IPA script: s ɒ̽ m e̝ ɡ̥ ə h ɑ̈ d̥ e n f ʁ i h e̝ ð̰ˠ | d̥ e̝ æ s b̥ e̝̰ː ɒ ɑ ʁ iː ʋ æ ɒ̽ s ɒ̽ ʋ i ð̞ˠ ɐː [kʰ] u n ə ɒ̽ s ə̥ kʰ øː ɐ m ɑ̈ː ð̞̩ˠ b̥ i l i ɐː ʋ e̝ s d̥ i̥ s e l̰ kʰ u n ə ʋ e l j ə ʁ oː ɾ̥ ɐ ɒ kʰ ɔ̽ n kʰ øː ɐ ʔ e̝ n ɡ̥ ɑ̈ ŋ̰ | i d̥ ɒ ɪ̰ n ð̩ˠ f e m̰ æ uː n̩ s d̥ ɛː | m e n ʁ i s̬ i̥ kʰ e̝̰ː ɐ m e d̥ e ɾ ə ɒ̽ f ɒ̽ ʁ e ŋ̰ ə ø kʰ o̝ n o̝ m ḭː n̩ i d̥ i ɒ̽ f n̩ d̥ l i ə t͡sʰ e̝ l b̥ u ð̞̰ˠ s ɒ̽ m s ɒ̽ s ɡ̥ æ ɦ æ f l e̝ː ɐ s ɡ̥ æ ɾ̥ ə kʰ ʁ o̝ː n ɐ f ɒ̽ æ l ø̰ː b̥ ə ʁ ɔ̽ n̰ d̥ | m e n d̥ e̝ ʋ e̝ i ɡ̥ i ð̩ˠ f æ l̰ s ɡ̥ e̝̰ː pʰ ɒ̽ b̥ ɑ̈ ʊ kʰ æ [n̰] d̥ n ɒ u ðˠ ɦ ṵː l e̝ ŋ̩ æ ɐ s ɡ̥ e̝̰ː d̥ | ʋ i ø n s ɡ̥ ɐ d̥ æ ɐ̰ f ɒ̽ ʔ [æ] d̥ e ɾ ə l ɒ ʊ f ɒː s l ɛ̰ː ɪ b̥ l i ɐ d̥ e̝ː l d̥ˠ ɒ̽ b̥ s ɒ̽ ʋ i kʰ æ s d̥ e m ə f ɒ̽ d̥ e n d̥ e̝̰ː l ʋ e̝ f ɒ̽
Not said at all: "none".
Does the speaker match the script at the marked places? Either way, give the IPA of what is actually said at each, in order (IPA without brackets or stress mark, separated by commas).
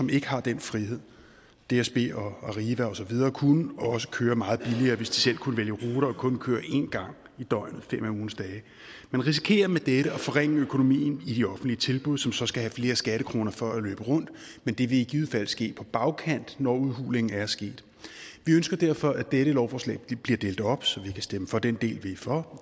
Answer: kʰ, n̰, æ